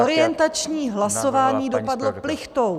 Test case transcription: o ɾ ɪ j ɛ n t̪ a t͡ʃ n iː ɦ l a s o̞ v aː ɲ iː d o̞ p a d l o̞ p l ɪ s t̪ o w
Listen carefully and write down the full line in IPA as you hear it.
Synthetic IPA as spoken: o ɾ ɪ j ɛ n t̪ a t͡ʃ ɲ iː ɦ l a s o̞ v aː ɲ iː d o̞ p a d l o̞ p l ɪ x t̪ o w

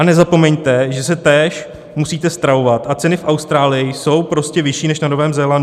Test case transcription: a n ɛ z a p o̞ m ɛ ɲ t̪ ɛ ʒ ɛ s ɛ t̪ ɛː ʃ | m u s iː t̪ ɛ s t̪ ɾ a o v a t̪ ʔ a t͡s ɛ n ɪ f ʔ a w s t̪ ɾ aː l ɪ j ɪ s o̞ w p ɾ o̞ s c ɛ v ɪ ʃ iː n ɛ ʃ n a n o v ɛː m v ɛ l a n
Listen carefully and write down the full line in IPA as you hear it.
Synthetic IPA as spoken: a n ɛ z a p o̞ m ɛ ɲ t̪ ɛ ʒ ɛ s ɛ t̪ ɛː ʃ | m u s iː t̪ ɛ s t̪ ɾ a o v a t̪ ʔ a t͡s ɛ n ɪ f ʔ a w s t̪ ɾ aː l ɪ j ɪ s o̞ w p ɾ o̞ s c ɛ v ɪ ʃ iː n ɛ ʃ n a n o v ɛː m z ɛ l a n

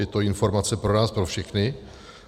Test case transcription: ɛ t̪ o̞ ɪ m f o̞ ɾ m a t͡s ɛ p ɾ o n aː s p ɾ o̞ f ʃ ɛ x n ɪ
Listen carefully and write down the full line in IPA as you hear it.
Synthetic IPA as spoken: ɛ t̪ o̞ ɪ n f o̞ ɾ m a t͡s ɛ p ɾ o n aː s p ɾ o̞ f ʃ ɛ x n ɪ

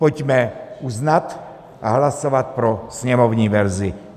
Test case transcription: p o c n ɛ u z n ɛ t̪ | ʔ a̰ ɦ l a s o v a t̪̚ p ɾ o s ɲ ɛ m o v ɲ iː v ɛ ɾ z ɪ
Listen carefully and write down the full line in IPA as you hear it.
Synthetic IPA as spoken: p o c m ɛ u z n a t̪ | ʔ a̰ ɦ l a s o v a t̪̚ p ɾ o s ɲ ɛ m o v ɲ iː v ɛ ɾ z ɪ

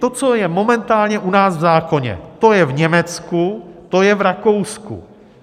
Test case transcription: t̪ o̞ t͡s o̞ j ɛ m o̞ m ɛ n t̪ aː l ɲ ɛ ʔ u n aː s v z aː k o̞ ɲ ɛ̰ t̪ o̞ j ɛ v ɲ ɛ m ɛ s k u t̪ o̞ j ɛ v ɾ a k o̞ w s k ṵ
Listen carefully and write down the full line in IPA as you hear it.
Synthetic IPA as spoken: t̪ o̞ t͡s o̞ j ɛ m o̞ m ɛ n t̪ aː l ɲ ɛ ʔ u n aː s v z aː k o̞ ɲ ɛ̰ t̪ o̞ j ɛ v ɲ ɛ m ɛ t͡s k u t̪ o̞ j ɛ v ɾ a k o̞ w s k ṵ

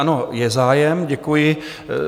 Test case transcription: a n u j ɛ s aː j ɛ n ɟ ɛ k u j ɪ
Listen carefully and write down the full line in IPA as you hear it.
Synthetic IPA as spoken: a n o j ɛ z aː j ɛ m ɟ ɛ k u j ɪ

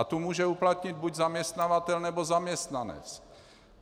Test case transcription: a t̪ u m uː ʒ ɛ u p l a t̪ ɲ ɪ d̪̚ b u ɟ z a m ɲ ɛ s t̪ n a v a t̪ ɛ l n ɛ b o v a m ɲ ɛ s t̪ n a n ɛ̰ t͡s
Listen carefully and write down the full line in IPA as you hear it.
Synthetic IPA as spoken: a t̪ u m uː ʒ ɛ u p l a t̪ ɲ ɪ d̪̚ b u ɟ z a m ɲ ɛ s t̪ n a v a t̪ ɛ l n ɛ b o z a m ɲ ɛ s t̪ n a n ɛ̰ t͡s

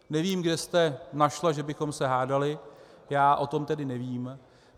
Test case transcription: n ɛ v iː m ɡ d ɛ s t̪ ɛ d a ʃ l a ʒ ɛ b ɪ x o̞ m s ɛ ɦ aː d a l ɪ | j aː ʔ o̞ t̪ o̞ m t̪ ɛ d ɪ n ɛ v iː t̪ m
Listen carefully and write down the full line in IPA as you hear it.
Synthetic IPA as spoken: n ɛ v iː m ɡ d ɛ s t̪ ɛ n a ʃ l a ʒ ɛ b ɪ x o̞ m s ɛ ɦ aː d a l ɪ | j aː ʔ o̞ t̪ o̞ m t̪ ɛ d ɪ n ɛ v iː m

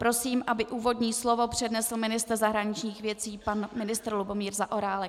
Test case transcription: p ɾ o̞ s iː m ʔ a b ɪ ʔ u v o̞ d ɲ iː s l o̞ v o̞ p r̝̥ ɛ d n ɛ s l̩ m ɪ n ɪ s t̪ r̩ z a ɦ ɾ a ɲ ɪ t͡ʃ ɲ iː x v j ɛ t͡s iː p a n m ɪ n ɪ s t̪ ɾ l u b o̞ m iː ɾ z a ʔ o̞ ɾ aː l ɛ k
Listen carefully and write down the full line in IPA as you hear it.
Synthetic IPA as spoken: p ɾ o̞ s iː m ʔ a b ɪ ʔ uː v o̞ d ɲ iː s l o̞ v o̞ p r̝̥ ɛ d n ɛ s l̩ m ɪ n ɪ s t̪ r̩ z a ɦ ɾ a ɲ ɪ t͡ʃ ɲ iː x v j ɛ t͡s iː p a n m ɪ n ɪ s t̪ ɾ l u b o̞ m iː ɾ z a ʔ o̞ ɾ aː l ɛ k

